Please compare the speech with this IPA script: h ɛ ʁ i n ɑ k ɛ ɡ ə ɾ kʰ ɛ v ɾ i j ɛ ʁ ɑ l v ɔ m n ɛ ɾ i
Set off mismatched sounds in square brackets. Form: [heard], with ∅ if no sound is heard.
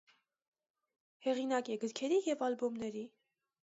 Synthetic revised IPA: h ɛ ʁ i n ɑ k ɛ ɡ ə ɾ kʰ ɛ [∅] ɾ i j ɛ [v] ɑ l [b] ɔ m n ɛ ɾ i